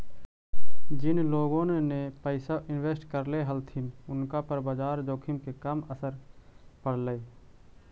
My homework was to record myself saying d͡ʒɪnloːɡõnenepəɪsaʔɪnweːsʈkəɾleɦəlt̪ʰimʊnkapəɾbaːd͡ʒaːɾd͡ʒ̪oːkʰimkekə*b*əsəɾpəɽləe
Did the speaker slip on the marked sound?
yes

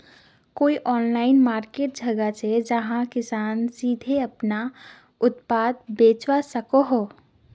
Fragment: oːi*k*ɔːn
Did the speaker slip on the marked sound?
yes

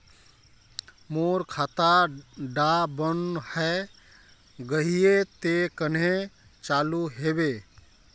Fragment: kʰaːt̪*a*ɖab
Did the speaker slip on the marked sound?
no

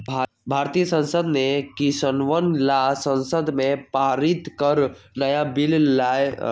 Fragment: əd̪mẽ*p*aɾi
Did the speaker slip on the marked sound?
no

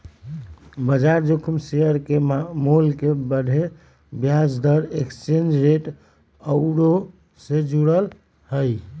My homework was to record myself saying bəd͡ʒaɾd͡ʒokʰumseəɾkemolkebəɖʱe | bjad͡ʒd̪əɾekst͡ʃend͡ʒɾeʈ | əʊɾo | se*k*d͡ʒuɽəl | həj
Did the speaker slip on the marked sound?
yes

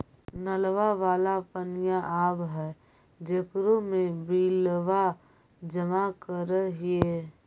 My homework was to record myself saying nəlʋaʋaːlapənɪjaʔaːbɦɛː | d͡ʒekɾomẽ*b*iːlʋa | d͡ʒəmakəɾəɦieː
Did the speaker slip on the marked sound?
no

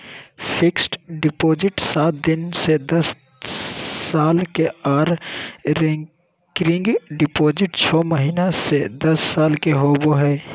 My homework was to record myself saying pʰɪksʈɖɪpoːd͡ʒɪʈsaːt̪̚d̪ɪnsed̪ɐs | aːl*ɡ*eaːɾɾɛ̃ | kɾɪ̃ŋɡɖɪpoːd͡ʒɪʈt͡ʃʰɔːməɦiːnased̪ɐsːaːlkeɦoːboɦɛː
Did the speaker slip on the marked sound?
yes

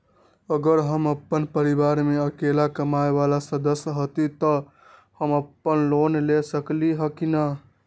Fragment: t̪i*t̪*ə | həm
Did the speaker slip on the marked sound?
no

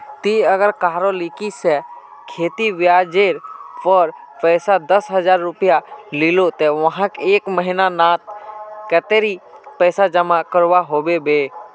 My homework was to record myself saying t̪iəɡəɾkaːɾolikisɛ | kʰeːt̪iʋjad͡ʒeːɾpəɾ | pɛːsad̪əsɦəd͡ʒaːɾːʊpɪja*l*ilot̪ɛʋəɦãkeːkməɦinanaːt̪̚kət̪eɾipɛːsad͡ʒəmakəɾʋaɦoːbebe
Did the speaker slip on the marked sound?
no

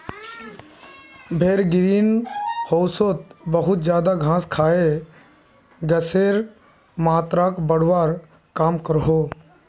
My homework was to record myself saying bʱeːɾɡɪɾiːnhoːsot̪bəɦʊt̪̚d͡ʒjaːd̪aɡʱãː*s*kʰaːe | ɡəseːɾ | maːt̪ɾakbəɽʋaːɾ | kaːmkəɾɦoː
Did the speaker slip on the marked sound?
no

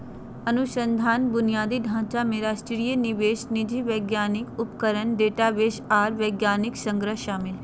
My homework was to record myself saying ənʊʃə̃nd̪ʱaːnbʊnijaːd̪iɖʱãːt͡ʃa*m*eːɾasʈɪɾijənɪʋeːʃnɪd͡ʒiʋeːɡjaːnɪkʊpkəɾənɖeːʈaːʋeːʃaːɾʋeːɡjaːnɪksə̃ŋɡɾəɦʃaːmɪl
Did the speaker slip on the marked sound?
no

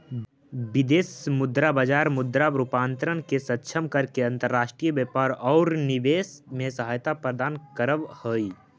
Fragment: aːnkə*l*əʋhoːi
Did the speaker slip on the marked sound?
yes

